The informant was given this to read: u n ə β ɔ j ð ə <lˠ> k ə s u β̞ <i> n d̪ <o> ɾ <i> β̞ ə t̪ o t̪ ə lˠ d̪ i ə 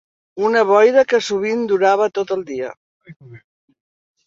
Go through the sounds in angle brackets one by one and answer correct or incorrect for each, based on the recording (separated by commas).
incorrect, correct, incorrect, incorrect